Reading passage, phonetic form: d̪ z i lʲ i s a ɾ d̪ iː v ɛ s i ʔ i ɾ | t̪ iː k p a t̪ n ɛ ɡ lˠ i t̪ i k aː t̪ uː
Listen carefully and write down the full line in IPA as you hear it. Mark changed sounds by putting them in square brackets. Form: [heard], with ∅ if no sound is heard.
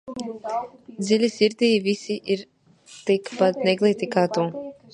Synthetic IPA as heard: d̪ z i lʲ i s [i] ɾ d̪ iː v [i] s i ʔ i ɾ | t̪ [i] k p a t̪ n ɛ ɡ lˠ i t̪ i k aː t̪ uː